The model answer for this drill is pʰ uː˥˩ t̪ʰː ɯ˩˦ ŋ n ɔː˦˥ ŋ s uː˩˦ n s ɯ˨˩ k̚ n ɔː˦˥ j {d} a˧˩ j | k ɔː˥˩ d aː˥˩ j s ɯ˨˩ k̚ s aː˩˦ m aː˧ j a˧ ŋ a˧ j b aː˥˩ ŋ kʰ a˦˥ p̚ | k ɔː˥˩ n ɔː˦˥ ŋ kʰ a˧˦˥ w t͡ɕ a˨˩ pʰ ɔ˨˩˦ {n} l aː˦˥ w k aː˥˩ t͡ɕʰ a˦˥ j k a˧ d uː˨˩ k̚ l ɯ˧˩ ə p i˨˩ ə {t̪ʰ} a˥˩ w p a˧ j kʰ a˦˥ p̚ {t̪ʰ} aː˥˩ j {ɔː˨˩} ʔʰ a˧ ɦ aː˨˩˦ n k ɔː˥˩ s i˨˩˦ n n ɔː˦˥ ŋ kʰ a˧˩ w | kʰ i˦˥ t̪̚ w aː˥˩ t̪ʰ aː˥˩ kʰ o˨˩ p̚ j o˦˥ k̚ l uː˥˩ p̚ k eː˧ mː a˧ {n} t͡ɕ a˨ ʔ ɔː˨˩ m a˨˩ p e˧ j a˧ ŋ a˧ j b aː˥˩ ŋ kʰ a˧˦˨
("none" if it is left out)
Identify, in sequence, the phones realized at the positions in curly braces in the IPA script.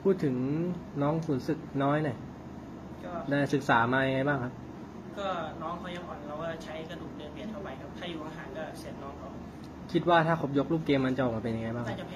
n, n, t̪ʰ, t̪ʰ, uː˨˩, n

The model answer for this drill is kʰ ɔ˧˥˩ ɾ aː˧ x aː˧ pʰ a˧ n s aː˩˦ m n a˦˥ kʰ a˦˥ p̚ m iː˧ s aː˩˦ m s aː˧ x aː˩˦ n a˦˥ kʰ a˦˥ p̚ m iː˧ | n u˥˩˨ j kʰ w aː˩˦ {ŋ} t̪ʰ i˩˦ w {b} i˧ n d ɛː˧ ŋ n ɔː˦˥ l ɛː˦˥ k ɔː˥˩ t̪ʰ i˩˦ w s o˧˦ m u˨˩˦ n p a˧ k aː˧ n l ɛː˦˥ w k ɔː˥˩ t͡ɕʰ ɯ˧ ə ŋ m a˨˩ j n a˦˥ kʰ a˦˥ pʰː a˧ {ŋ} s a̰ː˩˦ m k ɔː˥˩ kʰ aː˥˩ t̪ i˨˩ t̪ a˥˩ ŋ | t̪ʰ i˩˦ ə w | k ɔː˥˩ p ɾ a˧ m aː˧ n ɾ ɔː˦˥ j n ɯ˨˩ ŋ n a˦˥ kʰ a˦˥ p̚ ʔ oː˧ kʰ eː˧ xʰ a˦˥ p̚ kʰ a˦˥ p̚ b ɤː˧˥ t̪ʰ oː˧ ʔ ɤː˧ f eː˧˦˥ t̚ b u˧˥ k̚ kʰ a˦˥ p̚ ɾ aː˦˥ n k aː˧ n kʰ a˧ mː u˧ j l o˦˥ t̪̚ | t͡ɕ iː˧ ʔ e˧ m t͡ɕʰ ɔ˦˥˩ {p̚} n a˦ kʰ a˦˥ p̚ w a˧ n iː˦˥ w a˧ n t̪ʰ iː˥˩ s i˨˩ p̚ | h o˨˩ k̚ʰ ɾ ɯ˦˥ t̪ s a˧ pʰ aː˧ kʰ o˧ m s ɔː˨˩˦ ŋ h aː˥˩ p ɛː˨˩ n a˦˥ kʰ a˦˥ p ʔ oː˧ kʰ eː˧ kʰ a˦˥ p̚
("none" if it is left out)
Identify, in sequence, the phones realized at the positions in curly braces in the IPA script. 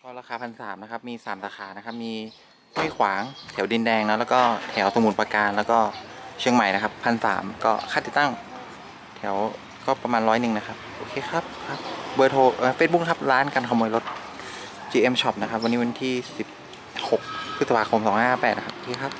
ŋ, d, n, p̚

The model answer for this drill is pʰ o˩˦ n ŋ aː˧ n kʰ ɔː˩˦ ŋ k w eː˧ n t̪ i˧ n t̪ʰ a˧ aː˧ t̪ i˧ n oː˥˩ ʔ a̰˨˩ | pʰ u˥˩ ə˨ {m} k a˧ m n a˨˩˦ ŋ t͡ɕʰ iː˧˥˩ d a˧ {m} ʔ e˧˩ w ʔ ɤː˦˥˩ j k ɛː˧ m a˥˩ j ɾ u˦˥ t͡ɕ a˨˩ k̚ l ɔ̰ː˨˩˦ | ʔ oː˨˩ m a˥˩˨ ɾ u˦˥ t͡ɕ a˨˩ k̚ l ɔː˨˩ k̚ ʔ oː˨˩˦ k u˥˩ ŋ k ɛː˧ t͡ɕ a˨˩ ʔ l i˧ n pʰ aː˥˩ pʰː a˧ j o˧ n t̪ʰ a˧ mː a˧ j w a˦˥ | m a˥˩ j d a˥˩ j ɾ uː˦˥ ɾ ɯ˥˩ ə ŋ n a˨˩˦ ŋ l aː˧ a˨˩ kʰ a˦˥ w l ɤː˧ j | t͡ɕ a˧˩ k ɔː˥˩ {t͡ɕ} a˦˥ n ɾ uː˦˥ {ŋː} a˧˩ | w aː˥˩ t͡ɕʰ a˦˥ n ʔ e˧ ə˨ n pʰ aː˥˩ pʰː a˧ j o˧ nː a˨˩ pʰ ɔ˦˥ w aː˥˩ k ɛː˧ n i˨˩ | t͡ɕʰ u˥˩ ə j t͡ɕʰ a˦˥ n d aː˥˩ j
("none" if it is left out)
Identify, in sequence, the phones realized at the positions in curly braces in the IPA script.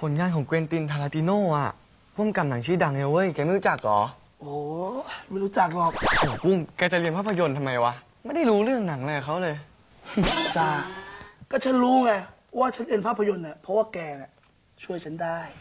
m, ŋ, t͡ɕʰ, ŋ

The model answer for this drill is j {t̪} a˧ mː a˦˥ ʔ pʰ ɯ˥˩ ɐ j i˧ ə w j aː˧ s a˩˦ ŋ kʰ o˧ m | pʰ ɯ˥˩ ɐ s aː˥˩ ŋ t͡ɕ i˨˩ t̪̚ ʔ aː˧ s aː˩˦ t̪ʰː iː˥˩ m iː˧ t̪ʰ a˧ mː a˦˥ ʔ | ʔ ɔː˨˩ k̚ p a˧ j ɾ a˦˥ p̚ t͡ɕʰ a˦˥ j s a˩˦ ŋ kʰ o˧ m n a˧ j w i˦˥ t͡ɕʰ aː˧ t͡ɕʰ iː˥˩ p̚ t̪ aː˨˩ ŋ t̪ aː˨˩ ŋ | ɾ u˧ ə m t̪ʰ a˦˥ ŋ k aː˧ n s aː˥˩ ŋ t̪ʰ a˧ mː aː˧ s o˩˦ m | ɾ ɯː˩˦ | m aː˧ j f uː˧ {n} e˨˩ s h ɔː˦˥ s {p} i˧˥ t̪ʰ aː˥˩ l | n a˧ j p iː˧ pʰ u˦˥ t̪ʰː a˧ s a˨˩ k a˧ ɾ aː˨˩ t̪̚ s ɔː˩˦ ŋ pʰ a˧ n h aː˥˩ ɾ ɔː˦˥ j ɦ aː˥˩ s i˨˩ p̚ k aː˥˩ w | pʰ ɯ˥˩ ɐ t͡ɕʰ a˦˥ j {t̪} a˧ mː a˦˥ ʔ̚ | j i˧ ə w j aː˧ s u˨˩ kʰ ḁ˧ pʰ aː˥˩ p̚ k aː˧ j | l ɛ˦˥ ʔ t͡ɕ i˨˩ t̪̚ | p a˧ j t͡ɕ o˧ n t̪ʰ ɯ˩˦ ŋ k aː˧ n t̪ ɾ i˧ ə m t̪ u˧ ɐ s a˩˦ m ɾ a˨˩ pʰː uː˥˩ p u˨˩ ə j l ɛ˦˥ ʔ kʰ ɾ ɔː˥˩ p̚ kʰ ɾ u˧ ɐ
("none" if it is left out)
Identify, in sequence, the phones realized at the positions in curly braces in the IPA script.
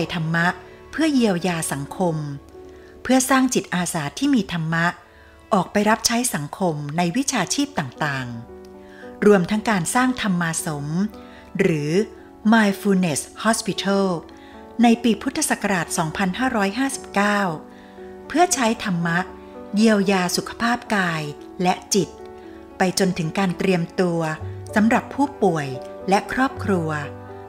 t̪ʰ, n, p, t̪ʰ

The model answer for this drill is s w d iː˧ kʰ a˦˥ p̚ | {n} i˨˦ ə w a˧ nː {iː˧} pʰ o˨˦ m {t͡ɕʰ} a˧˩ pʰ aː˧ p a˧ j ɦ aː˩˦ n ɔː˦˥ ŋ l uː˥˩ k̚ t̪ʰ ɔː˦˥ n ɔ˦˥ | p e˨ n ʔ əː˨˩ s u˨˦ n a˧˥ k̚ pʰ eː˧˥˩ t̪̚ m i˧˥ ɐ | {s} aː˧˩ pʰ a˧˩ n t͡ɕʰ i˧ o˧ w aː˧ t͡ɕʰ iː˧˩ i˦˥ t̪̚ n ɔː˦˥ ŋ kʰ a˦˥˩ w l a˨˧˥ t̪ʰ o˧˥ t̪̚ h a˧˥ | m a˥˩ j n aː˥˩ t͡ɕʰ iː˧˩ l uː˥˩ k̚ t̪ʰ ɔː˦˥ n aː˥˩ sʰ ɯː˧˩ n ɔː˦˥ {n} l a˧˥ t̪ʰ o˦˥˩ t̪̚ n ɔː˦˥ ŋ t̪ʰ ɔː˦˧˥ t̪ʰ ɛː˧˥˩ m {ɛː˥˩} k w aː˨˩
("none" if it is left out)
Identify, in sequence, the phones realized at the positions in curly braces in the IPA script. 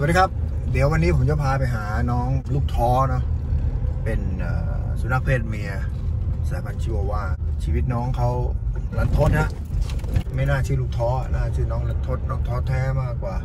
d, iː˦˥, t͡ɕ, s, ŋ, aː˥˩

